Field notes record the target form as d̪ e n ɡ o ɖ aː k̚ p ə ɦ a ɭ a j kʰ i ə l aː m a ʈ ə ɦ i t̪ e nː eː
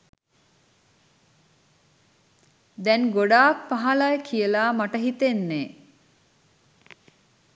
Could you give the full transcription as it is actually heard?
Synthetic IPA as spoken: d̪ ɛ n ɡ o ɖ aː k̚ p a ɦ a l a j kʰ i ə l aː m a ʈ ə ɦ i t̪ e nː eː